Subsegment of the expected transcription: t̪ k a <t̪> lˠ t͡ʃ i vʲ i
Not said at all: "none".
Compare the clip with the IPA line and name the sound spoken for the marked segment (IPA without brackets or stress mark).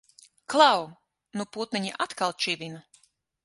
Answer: none